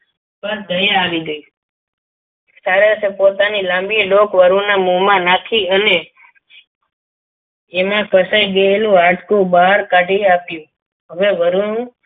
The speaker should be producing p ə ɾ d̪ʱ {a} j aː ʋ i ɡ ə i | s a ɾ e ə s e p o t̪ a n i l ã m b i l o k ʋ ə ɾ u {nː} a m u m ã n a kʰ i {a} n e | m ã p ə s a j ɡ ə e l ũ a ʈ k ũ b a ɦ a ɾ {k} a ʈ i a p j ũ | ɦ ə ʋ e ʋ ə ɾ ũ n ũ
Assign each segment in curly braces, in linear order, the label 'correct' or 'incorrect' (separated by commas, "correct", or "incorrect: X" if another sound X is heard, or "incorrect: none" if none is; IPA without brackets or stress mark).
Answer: incorrect: ə, incorrect: n, incorrect: ə, correct